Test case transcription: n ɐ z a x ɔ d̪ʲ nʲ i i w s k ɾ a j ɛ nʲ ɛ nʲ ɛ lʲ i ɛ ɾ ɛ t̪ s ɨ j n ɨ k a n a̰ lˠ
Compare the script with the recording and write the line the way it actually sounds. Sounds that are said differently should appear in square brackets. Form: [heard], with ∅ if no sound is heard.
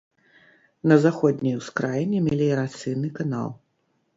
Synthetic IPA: n ɐ z a x ɔ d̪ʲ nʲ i [j] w s k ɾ a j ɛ nʲ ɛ [mʲ] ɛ lʲ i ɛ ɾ [a] t̪ s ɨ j n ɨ k a n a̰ lˠ